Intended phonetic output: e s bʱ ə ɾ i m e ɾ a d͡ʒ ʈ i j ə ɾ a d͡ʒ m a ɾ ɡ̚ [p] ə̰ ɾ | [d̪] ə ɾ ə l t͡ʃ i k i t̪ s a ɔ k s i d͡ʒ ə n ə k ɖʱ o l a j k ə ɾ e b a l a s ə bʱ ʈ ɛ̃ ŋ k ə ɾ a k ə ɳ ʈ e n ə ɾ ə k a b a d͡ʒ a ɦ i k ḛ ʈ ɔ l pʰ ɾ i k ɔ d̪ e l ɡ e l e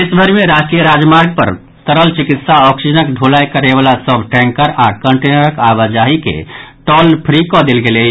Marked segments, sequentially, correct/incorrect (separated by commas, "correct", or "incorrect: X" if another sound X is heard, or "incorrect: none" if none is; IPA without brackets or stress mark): correct, incorrect: t̪